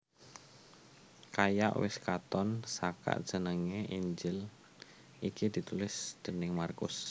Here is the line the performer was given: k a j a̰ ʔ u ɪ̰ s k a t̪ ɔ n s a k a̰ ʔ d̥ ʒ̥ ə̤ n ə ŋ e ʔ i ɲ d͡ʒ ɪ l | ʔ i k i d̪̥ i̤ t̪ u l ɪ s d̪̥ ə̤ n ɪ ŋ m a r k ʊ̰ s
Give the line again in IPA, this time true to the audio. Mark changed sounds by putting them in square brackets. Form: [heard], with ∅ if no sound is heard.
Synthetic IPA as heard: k a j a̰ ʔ [w] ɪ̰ s k a t̪ ɔ n s a k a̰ ʔ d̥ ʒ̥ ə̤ n ə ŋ e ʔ i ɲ d͡ʒ ɪ l | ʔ i k i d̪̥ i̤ t̪ u l ɪ s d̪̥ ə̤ n ɪ ŋ m a r k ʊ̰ s